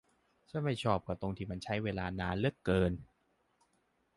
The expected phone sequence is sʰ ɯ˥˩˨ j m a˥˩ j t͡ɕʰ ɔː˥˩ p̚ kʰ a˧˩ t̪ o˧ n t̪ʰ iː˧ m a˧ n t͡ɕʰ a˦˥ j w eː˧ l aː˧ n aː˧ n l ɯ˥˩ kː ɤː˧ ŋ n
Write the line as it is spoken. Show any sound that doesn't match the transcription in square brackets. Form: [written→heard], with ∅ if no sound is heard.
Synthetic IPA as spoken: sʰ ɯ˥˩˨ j m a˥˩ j t͡ɕʰ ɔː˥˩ p̚ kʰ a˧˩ t̪ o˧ [n→ŋ] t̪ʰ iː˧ m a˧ n t͡ɕʰ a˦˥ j w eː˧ l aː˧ n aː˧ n l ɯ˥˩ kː ɤː˧ [ŋ→∅] n